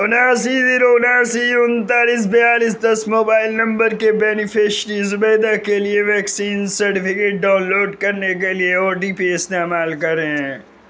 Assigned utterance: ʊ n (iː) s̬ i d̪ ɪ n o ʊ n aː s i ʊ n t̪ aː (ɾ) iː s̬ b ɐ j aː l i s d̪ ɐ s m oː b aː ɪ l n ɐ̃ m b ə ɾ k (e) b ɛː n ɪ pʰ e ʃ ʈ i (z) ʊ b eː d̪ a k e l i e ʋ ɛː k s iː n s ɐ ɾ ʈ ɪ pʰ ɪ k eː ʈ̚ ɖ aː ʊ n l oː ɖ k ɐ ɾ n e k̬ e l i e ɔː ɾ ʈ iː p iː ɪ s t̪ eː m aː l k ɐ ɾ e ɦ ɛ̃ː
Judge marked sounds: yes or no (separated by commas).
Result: no, no, yes, yes